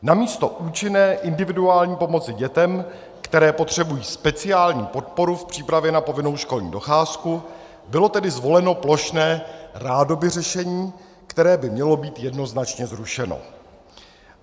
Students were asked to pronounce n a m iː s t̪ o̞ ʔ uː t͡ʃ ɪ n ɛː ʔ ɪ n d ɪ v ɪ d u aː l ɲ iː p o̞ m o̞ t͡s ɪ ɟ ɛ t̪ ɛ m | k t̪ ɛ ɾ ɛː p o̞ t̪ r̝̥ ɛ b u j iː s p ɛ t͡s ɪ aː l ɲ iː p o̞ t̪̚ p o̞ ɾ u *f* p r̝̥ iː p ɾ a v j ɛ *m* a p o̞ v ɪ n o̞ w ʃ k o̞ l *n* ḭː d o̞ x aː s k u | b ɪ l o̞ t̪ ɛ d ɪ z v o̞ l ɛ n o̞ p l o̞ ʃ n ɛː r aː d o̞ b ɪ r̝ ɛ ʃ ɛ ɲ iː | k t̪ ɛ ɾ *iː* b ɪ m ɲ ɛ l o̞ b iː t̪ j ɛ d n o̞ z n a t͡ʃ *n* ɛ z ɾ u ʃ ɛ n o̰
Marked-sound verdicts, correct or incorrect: correct, incorrect: n, incorrect: ɲ, incorrect: ɛː, incorrect: ɲ

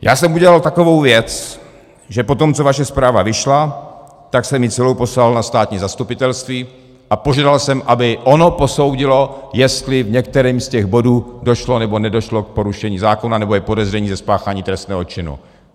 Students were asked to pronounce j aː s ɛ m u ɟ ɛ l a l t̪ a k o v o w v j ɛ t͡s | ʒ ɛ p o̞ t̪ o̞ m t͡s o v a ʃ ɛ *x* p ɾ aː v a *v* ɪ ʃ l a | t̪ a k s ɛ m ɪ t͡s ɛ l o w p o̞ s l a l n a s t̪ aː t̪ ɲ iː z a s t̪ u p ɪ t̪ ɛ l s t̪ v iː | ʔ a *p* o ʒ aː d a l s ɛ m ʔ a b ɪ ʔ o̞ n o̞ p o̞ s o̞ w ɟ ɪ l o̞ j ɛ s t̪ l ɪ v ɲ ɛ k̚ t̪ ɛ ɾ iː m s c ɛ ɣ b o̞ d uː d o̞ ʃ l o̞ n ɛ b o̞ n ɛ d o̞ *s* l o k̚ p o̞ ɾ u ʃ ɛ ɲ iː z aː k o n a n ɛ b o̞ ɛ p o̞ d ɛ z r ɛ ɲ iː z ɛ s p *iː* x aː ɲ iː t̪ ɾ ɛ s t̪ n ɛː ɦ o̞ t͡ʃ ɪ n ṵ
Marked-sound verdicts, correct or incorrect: incorrect: s, correct, correct, incorrect: ʃ, incorrect: aː

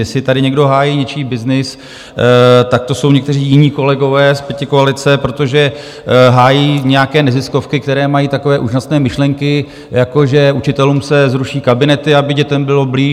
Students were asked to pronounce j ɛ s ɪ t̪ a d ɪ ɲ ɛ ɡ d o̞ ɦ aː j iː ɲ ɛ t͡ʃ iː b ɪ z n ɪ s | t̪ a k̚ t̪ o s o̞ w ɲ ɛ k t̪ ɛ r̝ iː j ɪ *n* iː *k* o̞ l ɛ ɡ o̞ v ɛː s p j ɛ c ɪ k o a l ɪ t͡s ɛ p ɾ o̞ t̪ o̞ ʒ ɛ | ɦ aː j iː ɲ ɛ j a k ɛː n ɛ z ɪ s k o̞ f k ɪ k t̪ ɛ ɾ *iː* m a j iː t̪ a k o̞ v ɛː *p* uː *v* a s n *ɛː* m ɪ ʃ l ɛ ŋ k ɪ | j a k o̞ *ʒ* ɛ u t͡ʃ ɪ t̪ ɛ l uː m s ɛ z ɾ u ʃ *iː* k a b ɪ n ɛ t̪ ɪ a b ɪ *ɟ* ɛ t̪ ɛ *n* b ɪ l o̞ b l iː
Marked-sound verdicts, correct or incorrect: incorrect: ɲ, correct, incorrect: ɛː, incorrect: ʔ, incorrect: ʒ, correct, correct, correct, correct, incorrect: m

